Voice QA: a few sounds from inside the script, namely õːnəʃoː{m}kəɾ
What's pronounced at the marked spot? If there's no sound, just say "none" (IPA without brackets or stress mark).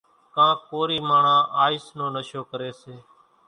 none